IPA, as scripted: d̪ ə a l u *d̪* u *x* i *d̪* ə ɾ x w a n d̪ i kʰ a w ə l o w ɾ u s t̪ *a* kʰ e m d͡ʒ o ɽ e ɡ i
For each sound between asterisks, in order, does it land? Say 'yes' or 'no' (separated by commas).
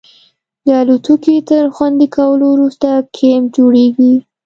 no, no, no, yes